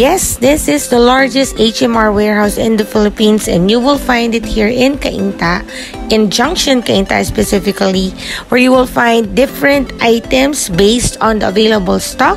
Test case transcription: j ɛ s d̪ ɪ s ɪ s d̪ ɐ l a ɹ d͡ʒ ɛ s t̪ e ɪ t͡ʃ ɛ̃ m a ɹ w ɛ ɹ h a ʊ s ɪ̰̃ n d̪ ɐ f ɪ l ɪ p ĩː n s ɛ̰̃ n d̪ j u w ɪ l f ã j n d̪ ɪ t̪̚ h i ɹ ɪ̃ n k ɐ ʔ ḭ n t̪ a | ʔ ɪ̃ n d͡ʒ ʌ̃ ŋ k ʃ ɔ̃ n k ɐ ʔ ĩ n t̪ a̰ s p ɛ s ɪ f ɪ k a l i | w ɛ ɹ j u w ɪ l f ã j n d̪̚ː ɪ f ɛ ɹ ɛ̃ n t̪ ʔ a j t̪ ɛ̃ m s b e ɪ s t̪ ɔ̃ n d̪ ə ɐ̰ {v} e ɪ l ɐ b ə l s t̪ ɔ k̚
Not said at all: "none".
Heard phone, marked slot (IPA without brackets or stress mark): v